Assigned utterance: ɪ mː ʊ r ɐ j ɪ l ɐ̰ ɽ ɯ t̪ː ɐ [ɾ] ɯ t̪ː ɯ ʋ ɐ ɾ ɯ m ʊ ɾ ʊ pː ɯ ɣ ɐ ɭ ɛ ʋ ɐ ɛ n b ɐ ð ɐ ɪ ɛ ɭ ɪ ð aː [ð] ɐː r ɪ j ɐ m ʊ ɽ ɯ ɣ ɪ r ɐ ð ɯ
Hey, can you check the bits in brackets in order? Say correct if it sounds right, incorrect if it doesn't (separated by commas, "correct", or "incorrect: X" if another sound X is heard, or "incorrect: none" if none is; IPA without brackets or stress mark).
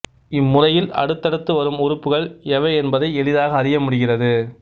incorrect: ɽ, incorrect: ɣ